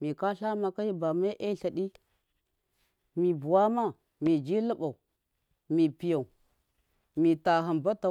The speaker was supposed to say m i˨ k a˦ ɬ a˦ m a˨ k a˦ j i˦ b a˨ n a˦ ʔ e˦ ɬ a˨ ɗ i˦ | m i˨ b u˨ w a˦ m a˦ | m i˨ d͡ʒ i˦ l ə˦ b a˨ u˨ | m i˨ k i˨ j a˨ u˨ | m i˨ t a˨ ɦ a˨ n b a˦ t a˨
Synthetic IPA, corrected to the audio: m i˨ k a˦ ɬ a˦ m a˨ k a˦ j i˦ b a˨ m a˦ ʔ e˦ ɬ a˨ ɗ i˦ | m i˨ b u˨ w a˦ m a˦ | m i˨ d͡ʒ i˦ l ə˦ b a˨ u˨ | m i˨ p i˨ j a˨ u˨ | m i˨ t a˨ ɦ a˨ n b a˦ t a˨